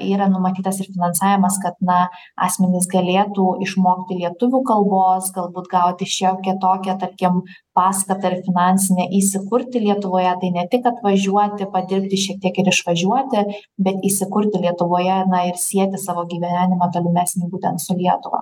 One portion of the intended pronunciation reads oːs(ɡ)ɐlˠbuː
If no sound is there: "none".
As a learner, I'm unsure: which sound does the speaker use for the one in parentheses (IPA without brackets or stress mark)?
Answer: ɡ